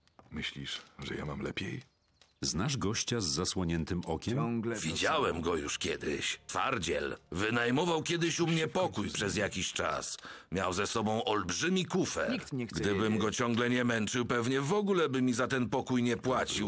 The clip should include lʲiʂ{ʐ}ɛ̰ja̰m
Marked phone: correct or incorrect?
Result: correct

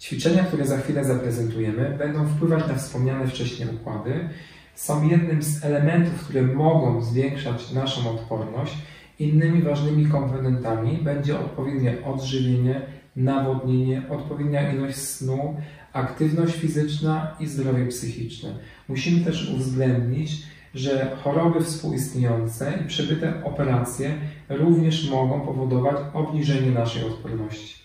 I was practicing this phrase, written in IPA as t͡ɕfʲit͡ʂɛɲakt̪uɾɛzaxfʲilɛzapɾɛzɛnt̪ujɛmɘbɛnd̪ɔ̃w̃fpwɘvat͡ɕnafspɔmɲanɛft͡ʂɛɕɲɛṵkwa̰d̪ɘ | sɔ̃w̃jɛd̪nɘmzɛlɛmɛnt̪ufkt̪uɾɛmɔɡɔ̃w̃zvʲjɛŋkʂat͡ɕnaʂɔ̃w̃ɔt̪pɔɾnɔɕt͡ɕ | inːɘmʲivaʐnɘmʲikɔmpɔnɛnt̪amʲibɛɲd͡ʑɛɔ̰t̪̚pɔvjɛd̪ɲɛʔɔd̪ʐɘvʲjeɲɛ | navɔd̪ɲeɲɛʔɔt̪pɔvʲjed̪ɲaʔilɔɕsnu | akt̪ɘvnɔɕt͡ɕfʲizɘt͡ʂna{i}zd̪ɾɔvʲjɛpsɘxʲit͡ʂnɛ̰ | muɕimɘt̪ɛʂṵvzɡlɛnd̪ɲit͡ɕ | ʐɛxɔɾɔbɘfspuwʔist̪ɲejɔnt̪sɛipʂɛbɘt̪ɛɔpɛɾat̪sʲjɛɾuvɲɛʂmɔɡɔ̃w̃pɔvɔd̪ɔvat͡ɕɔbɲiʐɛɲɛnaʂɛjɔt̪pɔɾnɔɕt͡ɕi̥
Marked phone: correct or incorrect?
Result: correct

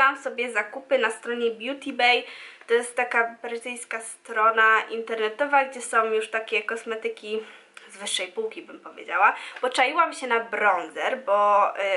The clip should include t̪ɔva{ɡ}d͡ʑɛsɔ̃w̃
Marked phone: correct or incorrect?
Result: correct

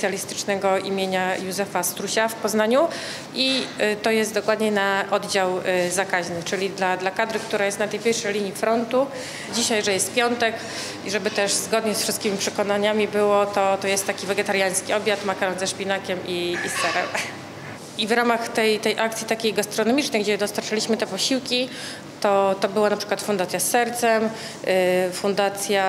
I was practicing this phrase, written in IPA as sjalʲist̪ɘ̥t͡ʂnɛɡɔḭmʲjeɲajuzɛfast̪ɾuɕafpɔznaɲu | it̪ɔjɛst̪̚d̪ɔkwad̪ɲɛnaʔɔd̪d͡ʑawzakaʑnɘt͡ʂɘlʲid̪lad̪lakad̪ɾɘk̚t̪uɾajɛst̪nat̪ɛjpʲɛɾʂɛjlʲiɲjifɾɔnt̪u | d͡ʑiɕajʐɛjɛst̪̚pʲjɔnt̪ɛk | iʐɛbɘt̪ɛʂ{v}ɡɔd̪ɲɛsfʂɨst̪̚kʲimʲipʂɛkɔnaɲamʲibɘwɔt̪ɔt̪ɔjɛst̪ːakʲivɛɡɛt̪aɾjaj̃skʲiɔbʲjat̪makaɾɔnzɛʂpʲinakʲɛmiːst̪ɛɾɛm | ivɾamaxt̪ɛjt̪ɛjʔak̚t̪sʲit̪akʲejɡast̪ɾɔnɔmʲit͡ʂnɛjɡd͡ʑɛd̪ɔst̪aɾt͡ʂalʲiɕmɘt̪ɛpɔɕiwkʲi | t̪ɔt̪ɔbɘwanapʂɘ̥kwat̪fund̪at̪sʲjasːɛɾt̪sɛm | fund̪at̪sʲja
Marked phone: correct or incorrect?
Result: incorrect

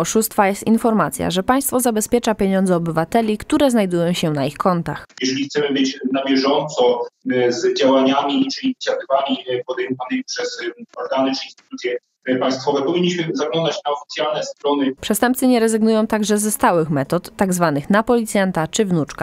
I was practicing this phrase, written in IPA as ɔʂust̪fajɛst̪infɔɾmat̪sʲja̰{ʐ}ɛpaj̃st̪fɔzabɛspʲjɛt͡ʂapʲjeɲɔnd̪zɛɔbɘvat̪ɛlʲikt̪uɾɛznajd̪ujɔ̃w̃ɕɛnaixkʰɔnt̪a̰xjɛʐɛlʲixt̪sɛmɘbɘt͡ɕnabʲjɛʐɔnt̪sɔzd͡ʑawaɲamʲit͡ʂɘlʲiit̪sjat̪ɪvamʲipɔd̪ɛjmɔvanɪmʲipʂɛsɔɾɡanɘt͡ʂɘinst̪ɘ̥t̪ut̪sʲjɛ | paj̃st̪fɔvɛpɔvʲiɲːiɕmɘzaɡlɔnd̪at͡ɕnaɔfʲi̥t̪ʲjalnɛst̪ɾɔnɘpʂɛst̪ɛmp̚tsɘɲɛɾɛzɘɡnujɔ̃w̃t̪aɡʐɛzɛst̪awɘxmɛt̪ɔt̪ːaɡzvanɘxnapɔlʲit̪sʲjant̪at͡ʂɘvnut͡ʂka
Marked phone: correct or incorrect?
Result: correct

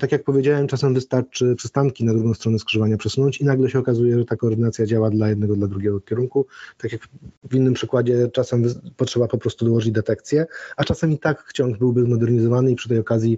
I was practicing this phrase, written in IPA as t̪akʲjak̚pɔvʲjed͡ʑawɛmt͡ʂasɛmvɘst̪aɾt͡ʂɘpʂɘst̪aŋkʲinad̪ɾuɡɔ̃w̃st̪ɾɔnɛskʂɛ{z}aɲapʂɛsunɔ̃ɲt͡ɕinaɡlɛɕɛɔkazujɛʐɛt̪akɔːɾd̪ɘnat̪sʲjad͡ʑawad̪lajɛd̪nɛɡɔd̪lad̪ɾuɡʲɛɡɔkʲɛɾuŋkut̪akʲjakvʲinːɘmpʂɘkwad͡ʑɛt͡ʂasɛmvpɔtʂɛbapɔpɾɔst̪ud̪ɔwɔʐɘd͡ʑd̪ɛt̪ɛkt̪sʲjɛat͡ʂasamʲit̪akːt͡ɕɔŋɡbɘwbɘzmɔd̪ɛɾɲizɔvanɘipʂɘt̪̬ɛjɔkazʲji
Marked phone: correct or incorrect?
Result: incorrect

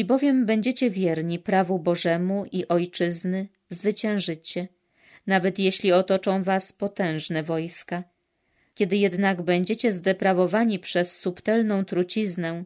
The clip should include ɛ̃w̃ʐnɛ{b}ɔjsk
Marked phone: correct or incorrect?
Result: incorrect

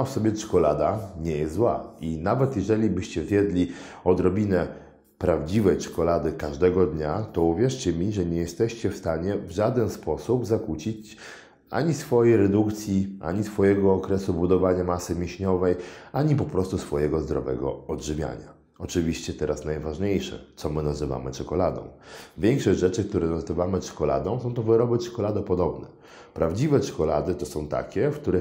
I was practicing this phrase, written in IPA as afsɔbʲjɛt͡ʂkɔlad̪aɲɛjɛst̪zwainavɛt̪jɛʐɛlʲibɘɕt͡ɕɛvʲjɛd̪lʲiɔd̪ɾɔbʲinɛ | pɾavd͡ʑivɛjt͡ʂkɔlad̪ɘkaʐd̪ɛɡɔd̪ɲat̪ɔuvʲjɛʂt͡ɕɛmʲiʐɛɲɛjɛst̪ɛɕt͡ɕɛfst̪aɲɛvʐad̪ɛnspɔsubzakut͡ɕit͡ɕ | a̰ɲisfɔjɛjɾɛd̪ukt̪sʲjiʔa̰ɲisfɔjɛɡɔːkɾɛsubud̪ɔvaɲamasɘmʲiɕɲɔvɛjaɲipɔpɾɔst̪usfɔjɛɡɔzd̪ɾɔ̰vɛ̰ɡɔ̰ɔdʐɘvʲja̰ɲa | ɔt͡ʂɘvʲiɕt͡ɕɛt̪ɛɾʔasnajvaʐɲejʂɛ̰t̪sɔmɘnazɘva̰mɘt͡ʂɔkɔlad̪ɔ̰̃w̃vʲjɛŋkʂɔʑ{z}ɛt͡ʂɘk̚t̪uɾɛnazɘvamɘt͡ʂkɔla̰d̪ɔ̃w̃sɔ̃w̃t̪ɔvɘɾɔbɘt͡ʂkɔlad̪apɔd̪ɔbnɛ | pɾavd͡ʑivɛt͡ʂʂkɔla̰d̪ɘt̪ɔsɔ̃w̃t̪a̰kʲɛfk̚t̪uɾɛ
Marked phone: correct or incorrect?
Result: incorrect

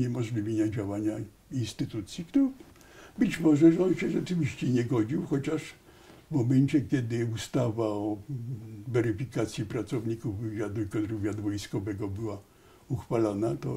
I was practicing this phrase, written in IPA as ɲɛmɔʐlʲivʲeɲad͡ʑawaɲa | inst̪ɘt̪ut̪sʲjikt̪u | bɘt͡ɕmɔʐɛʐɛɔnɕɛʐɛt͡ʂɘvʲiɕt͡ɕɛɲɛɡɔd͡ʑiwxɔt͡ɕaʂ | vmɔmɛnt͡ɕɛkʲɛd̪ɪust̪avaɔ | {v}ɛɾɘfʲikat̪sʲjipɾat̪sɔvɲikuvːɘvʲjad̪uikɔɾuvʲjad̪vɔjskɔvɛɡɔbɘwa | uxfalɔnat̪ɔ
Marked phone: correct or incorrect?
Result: correct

